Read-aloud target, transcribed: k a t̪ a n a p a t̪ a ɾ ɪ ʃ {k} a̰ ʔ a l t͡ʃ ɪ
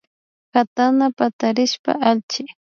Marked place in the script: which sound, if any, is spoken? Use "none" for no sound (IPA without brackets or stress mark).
p